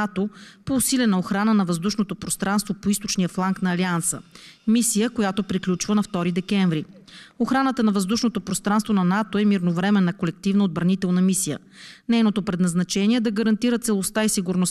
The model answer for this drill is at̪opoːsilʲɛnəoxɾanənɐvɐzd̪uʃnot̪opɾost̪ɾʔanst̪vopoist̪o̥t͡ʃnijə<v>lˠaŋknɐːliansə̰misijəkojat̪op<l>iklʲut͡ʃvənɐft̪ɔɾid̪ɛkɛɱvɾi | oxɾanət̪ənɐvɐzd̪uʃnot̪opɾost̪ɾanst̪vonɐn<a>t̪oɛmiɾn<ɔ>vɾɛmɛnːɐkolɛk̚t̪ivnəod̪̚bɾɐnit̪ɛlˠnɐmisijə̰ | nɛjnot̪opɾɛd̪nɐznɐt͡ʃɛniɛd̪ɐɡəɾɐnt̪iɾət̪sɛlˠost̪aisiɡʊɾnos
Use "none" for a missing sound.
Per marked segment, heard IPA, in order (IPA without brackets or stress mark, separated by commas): f, ɾ, a, o